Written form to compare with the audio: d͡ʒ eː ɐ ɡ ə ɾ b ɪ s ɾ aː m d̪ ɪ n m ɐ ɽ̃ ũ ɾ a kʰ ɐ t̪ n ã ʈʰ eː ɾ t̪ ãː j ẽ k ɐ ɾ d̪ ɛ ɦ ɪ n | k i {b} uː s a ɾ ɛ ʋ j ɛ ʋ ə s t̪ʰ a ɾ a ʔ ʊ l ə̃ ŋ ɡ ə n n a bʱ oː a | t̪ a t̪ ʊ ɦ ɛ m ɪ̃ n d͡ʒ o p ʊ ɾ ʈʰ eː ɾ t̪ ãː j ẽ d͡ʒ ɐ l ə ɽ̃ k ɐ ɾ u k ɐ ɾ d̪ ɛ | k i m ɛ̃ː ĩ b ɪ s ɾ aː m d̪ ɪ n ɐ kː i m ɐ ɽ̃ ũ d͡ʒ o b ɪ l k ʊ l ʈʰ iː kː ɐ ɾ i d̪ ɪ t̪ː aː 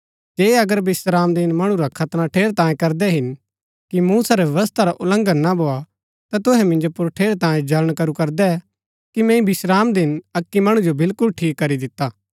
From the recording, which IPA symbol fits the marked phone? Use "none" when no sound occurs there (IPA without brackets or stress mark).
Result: m